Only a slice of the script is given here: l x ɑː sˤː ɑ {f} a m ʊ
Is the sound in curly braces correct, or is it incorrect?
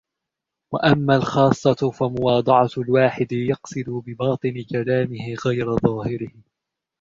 correct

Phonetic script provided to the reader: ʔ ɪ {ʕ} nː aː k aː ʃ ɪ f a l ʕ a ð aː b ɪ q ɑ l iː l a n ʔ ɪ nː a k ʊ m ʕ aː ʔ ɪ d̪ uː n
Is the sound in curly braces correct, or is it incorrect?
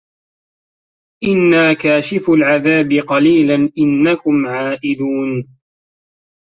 incorrect: none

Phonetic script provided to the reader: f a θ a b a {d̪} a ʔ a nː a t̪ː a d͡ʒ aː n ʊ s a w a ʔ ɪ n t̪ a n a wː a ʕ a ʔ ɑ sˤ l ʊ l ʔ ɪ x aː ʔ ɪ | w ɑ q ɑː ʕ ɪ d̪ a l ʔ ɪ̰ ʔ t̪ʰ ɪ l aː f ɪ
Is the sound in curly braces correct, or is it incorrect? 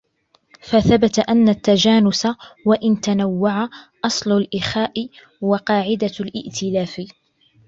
incorrect: t̪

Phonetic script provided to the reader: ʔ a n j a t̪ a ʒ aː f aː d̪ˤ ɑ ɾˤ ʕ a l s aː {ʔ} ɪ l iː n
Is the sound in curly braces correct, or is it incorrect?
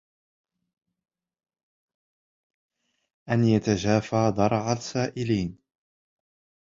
correct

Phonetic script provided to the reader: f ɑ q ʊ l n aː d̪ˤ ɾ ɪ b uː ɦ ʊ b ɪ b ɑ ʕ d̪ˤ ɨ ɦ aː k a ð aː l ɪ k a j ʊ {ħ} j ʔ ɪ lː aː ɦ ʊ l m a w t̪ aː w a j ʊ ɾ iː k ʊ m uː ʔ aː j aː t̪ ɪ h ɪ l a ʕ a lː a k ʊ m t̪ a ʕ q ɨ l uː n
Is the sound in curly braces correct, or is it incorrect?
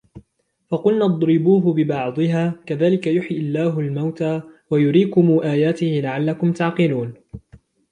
correct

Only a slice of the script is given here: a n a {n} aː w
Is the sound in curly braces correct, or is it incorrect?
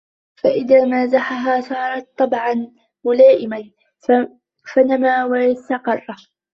incorrect: m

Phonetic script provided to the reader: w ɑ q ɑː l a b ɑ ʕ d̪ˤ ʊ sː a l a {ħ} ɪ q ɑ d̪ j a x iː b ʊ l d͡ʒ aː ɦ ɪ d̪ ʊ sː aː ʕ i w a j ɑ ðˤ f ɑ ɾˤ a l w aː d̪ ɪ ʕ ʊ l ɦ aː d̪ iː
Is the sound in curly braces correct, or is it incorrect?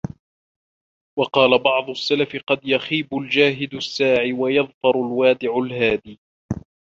incorrect: f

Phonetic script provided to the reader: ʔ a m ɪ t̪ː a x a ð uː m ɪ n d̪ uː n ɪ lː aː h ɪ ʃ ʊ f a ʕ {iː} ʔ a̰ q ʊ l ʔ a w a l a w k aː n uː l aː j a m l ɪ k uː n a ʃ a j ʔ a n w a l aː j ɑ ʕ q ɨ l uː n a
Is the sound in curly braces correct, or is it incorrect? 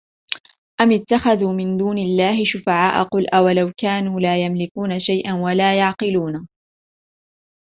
incorrect: aː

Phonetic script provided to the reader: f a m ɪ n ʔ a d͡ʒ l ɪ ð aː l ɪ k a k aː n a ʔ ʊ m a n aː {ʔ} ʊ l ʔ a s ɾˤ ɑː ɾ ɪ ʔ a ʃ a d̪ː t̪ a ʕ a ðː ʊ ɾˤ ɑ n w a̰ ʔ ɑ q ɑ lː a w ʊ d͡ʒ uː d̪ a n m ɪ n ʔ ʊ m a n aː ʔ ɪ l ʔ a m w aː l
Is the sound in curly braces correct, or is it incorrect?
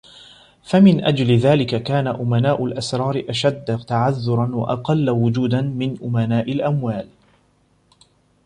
correct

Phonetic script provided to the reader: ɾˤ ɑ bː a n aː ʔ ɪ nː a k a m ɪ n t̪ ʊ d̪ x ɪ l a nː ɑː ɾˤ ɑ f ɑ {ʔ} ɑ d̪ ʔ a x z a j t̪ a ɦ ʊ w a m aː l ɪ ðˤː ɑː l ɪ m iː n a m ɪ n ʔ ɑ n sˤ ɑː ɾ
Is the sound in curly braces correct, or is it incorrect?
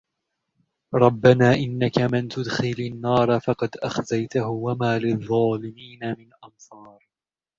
incorrect: q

